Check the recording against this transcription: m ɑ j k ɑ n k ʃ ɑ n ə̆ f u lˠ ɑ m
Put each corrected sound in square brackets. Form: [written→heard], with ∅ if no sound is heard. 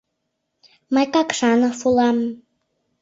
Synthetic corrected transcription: m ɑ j k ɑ [n→∅] k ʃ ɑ n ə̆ f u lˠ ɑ m